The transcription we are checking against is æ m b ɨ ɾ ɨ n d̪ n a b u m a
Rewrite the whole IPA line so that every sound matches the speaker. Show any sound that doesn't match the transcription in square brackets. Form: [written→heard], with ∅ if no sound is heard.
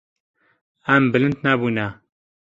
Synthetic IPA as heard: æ m b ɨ [ɾ→l] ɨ n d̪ n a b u [m→n] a

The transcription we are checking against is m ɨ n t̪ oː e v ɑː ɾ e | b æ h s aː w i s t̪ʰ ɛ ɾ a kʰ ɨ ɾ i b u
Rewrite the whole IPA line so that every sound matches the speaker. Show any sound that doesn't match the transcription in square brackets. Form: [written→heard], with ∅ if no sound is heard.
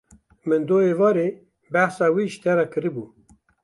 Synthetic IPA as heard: m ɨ n [t̪→d̪] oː e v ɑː ɾ e | b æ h s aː w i [s→ʃ] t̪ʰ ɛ ɾ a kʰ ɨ ɾ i b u

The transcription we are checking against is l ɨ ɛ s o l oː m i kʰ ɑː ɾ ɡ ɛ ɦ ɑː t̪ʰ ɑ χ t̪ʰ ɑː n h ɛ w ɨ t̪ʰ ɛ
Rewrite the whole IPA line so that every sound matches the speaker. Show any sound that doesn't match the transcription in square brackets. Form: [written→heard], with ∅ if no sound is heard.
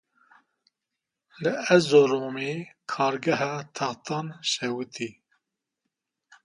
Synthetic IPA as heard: l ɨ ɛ [s→z] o [l→ɾ] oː m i kʰ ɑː ɾ ɡ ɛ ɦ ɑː t̪ʰ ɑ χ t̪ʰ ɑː n [h→ʃ] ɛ w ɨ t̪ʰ [ɛ→i]

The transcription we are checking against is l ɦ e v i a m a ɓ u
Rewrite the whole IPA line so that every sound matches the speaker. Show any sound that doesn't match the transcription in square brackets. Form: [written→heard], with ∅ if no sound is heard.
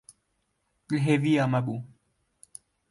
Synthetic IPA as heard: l ɦ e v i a m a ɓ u

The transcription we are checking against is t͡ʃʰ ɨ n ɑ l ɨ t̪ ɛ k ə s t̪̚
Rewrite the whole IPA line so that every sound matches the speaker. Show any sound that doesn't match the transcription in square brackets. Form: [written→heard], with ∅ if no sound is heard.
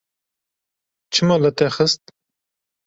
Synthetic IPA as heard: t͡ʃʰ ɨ [n→m] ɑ l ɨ t̪ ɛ [k→x] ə s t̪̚

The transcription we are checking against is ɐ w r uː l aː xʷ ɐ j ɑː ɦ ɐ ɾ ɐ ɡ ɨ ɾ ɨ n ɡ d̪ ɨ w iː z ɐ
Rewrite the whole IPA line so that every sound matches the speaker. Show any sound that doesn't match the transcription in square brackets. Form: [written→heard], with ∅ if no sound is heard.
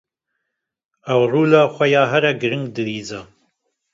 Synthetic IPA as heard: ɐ w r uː l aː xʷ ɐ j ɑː ɦ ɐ ɾ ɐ ɡ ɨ ɾ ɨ [n→ŋ] ɡ d̪ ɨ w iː z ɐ

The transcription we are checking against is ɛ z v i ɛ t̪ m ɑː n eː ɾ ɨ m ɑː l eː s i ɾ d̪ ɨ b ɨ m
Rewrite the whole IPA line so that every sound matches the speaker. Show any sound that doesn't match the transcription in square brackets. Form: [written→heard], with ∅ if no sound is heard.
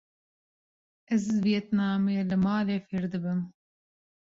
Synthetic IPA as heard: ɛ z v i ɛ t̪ [m→n] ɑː [n→m] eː [ɾ→l] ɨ m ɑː l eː [s→f] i ɾ d̪ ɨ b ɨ m

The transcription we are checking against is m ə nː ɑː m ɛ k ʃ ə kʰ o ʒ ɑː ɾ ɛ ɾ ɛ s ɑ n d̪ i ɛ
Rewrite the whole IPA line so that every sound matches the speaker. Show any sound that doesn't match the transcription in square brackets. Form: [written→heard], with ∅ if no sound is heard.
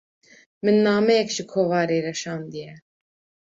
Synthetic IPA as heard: m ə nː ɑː m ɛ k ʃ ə kʰ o [ʒ→v] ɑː ɾ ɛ ɾ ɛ [s→ʃ] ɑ n d̪ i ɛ

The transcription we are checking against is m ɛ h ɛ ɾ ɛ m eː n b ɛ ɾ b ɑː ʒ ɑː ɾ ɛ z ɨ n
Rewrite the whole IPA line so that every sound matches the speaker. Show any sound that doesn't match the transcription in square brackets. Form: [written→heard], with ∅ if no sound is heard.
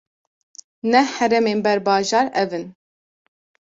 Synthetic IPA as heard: [m→n] ɛ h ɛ ɾ ɛ m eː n b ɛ ɾ b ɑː ʒ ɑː ɾ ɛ [z→v] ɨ n

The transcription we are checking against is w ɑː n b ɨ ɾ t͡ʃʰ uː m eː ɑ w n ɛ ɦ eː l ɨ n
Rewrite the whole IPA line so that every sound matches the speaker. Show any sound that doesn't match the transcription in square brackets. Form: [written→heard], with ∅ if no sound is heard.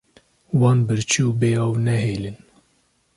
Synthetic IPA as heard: w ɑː n b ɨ ɾ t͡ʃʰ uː [m→b] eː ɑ w n ɛ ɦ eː l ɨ n

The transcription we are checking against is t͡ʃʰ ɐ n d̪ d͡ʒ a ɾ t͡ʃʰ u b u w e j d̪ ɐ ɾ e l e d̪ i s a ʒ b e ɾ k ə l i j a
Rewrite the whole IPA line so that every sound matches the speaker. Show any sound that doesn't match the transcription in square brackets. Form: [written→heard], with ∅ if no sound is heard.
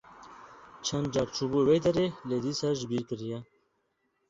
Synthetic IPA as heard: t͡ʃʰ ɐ n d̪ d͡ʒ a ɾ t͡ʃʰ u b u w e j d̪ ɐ ɾ e l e d̪ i s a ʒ b [e→i] ɾ k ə [l→ɾ] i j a

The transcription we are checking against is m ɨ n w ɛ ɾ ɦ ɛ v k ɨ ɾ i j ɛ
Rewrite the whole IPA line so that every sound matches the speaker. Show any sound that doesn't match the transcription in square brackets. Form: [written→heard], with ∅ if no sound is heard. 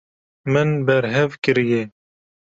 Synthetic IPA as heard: m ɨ n [w→b] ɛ ɾ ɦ ɛ v k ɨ ɾ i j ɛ

